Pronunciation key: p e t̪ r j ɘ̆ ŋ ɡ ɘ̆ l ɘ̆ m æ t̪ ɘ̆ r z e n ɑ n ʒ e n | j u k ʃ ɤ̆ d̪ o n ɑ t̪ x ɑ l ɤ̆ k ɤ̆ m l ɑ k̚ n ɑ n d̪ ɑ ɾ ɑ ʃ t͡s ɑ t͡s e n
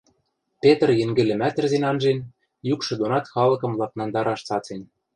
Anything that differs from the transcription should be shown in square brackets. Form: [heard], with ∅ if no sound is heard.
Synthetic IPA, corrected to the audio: p e t̪ r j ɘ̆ ŋ ɡ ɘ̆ l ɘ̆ m æ t̪ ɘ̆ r z e n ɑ n ʒ e n | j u k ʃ ɤ̆ d̪ o n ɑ t̪ x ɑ l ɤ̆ k ɤ̆ m l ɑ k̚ n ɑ n d̪ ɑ ɾ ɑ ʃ t͡s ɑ t͡s e n